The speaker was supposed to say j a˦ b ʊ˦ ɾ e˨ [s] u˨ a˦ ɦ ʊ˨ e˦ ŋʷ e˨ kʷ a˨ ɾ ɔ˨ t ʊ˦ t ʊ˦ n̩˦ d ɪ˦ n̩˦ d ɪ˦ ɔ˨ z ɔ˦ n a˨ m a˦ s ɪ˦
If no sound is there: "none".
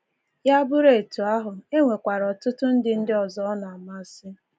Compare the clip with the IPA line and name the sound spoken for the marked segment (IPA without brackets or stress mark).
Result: t